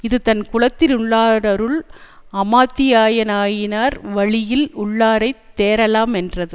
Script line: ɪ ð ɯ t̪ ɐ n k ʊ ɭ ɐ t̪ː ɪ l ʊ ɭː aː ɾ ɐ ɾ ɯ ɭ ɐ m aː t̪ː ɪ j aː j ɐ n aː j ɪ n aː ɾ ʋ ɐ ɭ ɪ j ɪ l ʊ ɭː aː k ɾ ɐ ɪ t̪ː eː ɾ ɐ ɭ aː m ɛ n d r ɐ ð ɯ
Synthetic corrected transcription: ɪ ð ɯ t̪ ɐ n k ʊ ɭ ɐ t̪ː ɪ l ʊ ɭː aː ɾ ɐ ɾ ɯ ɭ ɐ m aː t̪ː ɪ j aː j ɐ n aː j ɪ n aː ɾ ʋ ɐ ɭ ɪ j ɪ l ʊ ɭː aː ɾ ɐ ɪ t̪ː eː ɾ ɐ l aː m ɛ n d r ɐ ð ɯ